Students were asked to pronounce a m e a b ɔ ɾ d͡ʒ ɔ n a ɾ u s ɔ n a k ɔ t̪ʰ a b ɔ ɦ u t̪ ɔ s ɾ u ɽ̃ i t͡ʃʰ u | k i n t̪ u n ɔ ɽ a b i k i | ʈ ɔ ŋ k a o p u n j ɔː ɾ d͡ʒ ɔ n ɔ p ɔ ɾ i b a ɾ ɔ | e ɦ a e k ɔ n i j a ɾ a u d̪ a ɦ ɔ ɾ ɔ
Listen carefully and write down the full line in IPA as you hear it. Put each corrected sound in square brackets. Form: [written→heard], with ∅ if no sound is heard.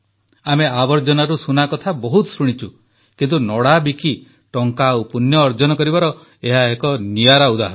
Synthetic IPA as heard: a m e a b ɔ ɾ d͡ʒ ɔ n a ɾ u s [ɔ→u] n a k ɔ t̪ʰ a b ɔ ɦ u t̪ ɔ s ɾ u ɽ̃ i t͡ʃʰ u | k i n t̪ u n ɔ ɽ a b i k i | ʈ ɔ ŋ k a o p u n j ɔː ɾ d͡ʒ ɔ n ɔ [p→k] ɔ ɾ i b a ɾ ɔ | e ɦ a e k ɔ n i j a ɾ a u d̪ a ɦ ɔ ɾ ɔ